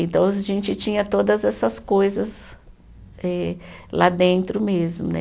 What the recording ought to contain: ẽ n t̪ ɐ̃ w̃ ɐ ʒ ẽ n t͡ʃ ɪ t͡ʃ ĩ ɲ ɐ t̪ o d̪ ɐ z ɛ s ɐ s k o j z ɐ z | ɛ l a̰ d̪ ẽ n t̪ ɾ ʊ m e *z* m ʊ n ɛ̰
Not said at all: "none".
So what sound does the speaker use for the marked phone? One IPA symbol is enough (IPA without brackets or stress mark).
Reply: z